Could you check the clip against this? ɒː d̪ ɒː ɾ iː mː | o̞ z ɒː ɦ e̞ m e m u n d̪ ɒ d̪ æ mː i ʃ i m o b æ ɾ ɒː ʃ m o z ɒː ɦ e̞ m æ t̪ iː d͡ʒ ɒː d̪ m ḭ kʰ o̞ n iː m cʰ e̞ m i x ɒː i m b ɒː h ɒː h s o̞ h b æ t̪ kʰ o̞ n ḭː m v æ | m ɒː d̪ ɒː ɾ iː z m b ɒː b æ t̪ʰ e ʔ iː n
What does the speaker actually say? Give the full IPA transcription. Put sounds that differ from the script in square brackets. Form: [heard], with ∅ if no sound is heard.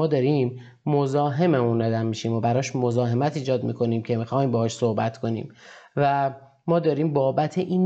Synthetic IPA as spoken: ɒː d̪ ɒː ɾ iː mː | o̞ z ɒː ɦ e̞ m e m u n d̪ ɒ d̪ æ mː i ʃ i m o b æ ɾ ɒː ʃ m o z ɒː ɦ e̞ m æ t̪ iː d͡ʒ ɒː d̪ m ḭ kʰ o̞ n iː m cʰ e̞ m i x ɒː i m b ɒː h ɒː [ʃ] s o̞ h b æ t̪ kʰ o̞ n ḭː m v æ | m ɒː d̪ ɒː ɾ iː [∅] m b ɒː b æ t̪ʰ e ʔ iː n